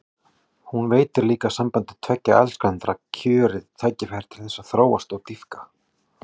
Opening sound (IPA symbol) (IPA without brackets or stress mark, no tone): h